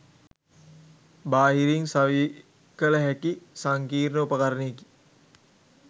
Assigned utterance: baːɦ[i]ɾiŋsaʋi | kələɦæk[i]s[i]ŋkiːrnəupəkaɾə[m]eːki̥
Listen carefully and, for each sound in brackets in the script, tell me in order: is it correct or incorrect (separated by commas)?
correct, correct, incorrect, incorrect